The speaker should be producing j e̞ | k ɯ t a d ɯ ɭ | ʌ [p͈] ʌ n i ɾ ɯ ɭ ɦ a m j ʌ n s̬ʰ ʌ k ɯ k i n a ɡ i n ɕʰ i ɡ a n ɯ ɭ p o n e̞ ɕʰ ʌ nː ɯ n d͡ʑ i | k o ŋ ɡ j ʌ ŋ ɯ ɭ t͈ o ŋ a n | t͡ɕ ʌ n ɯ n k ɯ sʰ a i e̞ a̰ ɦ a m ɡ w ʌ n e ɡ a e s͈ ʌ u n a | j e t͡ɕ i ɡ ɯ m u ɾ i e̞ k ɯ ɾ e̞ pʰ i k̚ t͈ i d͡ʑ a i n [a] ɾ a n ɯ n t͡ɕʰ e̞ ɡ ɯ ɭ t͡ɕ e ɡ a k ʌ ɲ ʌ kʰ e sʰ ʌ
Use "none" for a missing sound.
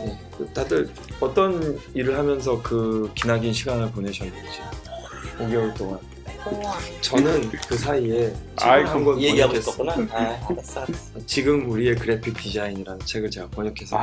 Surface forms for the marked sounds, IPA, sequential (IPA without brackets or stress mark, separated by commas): t͈, i